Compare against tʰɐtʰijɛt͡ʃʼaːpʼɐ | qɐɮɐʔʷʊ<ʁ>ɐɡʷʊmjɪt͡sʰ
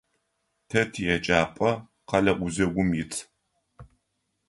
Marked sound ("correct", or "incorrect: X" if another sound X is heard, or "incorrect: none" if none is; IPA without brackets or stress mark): incorrect: z